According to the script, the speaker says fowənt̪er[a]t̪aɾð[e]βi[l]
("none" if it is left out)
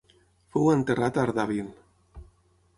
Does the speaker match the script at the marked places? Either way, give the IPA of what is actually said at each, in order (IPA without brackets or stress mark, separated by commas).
a, a, l